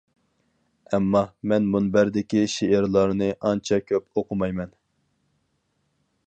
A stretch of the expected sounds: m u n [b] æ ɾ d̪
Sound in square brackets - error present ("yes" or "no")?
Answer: no